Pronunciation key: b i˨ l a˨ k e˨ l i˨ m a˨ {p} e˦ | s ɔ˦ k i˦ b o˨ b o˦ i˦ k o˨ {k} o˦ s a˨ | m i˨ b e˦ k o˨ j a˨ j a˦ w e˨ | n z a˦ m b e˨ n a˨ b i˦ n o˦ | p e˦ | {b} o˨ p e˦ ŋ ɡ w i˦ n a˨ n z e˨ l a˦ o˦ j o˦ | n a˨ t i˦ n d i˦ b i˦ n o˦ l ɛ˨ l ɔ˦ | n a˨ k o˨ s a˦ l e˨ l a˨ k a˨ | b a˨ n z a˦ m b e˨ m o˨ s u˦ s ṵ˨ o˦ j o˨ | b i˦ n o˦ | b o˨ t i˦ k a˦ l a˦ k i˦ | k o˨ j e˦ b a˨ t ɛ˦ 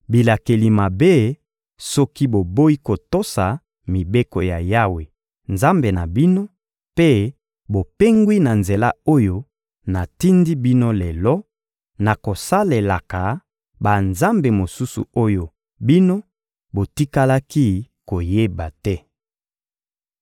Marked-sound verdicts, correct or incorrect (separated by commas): incorrect, incorrect, correct